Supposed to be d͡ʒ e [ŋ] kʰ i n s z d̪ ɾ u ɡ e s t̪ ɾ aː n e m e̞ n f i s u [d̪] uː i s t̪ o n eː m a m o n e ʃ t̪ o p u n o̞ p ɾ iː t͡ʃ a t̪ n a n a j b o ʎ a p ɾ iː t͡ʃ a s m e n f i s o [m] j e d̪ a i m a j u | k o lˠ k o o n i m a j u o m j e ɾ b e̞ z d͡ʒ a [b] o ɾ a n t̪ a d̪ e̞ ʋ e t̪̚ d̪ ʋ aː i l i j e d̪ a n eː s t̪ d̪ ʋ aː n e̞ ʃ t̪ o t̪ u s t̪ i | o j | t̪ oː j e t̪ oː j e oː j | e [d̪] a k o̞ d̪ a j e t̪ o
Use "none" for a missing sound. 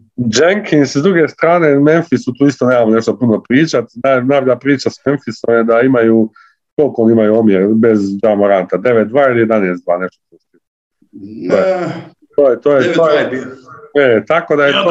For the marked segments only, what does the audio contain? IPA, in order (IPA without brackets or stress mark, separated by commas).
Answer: ŋ, t̪, m, m, t̪